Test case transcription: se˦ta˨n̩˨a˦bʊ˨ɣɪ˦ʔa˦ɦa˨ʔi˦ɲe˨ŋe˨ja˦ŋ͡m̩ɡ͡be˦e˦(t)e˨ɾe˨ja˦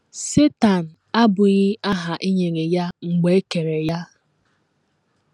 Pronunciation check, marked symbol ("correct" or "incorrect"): incorrect